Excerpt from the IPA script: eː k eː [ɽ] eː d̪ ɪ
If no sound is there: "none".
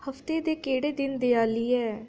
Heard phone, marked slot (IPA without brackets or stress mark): ɽ